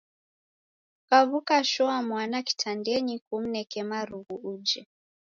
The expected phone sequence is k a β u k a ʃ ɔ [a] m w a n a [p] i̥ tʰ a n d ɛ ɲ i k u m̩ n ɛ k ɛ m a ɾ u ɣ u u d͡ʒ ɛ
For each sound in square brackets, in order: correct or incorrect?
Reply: correct, incorrect: k

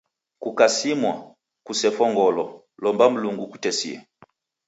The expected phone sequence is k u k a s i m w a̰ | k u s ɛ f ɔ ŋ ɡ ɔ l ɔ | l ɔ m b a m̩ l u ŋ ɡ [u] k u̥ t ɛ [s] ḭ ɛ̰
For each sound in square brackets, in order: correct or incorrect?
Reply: correct, correct

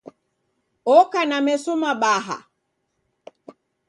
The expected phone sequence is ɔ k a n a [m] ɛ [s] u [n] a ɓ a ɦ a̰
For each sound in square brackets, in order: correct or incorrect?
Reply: correct, correct, incorrect: m

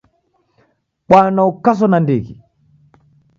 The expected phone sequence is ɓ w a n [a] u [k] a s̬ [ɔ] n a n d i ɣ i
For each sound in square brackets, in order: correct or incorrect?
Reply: correct, correct, correct

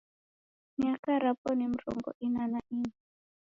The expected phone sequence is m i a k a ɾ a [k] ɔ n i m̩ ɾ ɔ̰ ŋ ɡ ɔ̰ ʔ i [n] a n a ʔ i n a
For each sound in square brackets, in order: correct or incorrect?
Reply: incorrect: p, correct

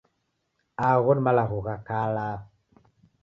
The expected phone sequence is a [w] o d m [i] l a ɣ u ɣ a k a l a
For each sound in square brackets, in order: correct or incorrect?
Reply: incorrect: ɣ, incorrect: a

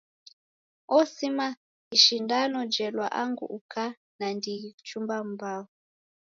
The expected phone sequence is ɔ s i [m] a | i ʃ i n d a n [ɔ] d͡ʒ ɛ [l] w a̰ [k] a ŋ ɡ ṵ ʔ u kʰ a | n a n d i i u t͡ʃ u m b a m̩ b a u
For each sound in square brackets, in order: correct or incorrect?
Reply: correct, correct, correct, incorrect: ʔ

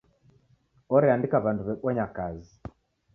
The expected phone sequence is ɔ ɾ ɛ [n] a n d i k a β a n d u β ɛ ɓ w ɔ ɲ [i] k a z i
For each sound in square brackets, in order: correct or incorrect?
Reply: incorrect: none, incorrect: a

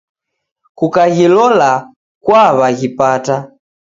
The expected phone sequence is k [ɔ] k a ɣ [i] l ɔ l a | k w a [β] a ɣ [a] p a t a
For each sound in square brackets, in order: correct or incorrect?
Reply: incorrect: u, correct, correct, incorrect: i

